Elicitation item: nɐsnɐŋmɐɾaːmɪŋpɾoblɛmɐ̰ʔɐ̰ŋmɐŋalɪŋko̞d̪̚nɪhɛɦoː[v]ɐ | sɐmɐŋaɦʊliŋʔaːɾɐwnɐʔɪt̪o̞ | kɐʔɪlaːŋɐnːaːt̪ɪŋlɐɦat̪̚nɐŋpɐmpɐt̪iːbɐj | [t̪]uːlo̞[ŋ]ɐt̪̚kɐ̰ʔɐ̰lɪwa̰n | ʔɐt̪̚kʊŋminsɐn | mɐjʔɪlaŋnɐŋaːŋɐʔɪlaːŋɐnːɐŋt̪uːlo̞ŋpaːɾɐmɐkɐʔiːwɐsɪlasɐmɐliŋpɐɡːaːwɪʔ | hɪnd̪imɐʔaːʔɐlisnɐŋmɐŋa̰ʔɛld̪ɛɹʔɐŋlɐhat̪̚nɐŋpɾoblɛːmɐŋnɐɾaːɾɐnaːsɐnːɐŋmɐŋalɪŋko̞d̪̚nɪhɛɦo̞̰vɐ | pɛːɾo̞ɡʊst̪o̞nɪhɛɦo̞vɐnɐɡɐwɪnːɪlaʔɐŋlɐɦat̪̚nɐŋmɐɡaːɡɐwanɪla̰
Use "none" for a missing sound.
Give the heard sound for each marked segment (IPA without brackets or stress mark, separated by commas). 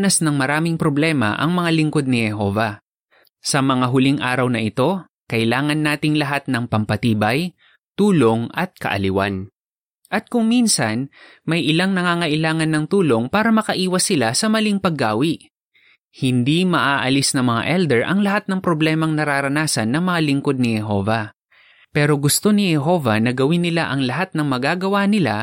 v, t̪, ŋ